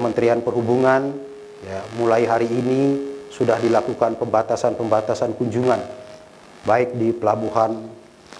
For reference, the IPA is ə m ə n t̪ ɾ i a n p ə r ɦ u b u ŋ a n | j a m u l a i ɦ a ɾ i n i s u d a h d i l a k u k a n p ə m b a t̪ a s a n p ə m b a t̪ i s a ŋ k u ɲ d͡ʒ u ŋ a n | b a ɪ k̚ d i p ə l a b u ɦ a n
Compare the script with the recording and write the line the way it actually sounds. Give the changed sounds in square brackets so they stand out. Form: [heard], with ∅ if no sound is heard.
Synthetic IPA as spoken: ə m ə n t̪ ɾ i a n p ə r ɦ u b u ŋ a n | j a m u l a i ɦ a ɾ [iː] n i s u d a h d i l a k u k a n p ə m b a t̪ a s a n p ə m b a t̪ [a] s a [n] k u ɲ d͡ʒ u ŋ a n | b a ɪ k̚ d i p ə l a b u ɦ a n